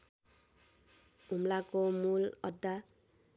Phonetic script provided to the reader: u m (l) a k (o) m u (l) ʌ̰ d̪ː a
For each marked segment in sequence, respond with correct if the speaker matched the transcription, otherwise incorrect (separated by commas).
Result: correct, correct, correct